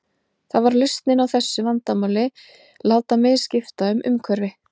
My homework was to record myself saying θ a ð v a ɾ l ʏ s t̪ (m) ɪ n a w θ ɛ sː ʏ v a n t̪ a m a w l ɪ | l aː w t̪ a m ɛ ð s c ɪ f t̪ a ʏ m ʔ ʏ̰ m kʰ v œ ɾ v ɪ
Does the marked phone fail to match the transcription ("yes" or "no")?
yes